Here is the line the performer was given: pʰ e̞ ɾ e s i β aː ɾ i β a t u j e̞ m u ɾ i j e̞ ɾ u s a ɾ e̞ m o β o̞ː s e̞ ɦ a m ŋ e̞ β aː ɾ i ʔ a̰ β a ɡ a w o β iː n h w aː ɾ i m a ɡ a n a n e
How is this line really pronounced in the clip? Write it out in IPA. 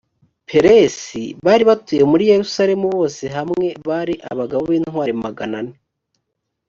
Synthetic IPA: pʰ e̞ ɾ e s i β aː ɾ i β a t u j e̞ m u ɾ i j e̞ ɾ u s a ɾ e̞ m u β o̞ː s e̞ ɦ a m ŋ e̞ β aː ɾ i ʔ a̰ β a ɡ a β o β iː n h w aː ɾ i m a ɡ a n a n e